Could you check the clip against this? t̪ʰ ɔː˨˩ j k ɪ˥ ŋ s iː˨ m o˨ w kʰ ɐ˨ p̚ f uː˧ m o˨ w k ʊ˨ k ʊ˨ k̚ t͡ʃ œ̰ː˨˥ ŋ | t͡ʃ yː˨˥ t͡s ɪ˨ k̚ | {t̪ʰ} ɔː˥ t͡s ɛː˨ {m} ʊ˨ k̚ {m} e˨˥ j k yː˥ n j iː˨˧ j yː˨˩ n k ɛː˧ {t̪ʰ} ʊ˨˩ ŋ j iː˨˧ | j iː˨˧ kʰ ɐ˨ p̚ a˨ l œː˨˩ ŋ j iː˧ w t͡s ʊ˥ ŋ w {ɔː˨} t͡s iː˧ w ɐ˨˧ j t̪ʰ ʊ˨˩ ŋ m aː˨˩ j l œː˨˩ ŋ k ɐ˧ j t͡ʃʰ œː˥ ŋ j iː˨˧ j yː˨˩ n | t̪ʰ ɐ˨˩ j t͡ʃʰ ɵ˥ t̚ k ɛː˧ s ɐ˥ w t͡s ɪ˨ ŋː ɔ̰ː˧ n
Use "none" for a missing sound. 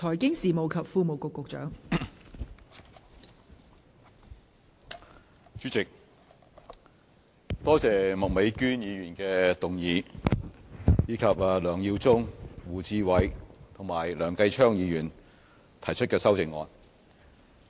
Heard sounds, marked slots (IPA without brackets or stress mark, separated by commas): t̪, m, m, t̪, uː˨